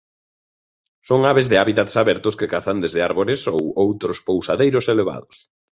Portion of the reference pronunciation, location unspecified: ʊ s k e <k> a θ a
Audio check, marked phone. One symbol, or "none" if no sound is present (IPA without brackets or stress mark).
k